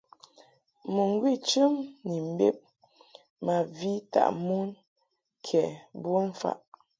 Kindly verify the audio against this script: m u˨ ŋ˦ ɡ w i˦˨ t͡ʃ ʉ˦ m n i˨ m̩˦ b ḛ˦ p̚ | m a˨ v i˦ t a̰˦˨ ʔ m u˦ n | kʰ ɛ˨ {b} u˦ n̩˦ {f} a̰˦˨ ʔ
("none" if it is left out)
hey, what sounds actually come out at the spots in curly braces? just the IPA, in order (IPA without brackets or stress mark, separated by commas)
b, f